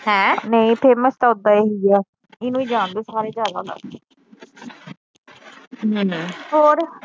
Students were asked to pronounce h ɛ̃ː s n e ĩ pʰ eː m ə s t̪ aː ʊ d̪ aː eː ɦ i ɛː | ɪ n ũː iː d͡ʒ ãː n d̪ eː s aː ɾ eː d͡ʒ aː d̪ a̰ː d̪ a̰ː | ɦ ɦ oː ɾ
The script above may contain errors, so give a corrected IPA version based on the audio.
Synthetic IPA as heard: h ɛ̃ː n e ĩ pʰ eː m ə s t̪ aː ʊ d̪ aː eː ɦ i ɛː | ɪ n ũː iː d͡ʒ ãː n d̪ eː s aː ɾ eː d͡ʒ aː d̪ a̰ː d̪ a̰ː | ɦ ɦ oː ɾ